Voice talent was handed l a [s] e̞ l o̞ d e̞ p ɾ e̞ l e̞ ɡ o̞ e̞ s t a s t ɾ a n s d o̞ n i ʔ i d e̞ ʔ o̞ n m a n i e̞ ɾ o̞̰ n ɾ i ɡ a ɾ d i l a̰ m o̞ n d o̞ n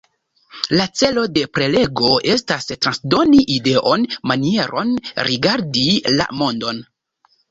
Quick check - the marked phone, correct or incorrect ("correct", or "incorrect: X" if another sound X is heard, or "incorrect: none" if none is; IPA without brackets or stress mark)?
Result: incorrect: t͡s